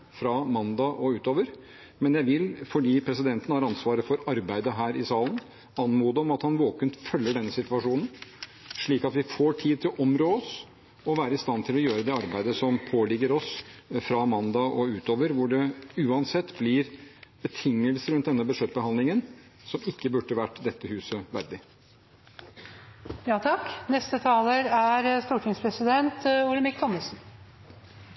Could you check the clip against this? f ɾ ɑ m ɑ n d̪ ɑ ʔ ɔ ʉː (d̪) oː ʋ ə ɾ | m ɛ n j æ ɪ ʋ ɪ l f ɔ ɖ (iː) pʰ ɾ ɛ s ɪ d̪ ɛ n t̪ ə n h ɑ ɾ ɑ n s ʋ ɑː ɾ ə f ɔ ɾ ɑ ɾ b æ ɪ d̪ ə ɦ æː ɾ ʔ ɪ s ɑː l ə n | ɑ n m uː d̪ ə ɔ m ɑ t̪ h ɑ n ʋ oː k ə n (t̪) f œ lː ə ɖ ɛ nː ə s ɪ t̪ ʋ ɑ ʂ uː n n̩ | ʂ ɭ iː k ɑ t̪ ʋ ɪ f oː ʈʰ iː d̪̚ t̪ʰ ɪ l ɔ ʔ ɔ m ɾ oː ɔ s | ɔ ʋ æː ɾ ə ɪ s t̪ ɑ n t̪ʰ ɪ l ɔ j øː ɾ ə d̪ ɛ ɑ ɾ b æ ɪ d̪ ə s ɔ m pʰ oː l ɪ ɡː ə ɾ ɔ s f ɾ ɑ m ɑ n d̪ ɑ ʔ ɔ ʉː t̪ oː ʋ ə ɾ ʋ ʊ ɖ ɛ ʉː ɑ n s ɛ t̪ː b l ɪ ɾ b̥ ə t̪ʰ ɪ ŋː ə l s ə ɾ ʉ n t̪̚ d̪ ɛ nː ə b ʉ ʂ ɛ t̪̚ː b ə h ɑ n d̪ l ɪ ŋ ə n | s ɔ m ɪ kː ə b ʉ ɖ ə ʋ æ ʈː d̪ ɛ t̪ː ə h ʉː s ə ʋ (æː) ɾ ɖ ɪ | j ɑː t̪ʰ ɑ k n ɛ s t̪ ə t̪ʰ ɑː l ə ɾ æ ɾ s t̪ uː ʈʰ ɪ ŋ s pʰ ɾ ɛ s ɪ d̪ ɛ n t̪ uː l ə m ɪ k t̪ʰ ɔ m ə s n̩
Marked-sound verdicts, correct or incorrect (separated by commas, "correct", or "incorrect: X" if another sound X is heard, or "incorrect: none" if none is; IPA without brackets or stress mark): incorrect: t̪, correct, correct, incorrect: æ